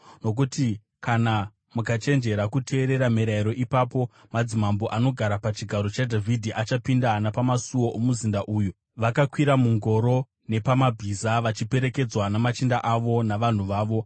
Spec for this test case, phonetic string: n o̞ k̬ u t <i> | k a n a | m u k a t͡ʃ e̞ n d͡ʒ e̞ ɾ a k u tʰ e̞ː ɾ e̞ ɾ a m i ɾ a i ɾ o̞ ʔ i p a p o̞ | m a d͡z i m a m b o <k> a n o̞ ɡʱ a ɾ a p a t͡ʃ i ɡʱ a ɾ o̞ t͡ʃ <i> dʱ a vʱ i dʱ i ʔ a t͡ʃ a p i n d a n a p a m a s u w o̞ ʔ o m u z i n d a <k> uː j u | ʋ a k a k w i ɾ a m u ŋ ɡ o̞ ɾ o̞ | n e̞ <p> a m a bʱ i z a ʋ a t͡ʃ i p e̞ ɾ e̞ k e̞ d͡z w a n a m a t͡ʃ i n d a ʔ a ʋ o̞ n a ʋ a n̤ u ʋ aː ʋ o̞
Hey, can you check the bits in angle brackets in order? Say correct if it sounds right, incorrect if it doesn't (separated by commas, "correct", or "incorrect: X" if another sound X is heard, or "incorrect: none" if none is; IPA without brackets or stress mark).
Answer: correct, incorrect: ʔ, incorrect: a, incorrect: ʔ, correct